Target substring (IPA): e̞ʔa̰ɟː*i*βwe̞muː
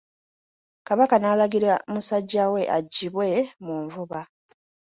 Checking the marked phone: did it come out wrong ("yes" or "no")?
no